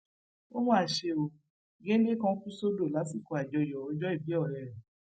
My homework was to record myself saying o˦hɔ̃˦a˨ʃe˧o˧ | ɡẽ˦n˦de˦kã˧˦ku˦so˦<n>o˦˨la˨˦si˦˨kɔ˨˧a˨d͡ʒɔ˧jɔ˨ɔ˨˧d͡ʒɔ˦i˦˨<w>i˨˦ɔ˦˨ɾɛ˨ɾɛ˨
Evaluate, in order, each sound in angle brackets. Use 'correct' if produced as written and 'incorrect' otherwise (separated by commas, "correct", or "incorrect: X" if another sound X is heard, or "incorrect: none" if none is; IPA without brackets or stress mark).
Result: incorrect: d, incorrect: b